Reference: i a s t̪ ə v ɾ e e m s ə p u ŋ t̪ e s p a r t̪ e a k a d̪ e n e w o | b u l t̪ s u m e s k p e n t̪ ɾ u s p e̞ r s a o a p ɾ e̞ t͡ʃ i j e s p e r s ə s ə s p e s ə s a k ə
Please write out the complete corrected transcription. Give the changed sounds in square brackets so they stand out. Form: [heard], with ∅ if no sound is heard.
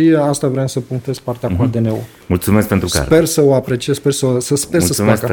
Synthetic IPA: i a s t̪ [a] v ɾ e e m s ə p u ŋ t̪ e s p a r t̪ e a k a d̪ e n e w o | [m] u l t̪ s u m e s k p e n t̪ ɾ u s p e̞ r s [ə] o a p ɾ e̞ t͡ʃ i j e s p e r s ə s ə s p e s ə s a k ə